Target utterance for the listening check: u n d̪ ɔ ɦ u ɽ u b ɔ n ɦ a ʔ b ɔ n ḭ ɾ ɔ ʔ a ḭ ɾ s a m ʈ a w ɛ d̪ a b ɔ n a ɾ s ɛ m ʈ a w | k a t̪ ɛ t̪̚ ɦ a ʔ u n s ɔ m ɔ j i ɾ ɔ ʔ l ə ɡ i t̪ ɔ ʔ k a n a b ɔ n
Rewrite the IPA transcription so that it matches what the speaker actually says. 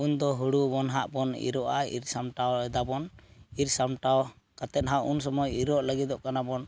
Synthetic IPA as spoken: u n d̪ ɔ ɦ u ɽ u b ɔ n ɦ a ʔ b ɔ n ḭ ɾ ɔ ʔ a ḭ ɾ s a m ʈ a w ɛ d̪ a b ɔ n i ɾ s a m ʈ a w | k a t̪ ɛ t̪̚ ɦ a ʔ u n s ɔ m ɔ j i ɾ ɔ ʔ l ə ɡ i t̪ ɔ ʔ k a n a b ɔ n